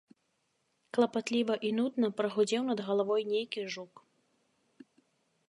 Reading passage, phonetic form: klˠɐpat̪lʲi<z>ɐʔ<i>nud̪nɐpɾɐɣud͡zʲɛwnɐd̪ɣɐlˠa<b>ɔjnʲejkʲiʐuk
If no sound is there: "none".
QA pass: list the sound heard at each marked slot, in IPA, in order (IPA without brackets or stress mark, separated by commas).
v, i, v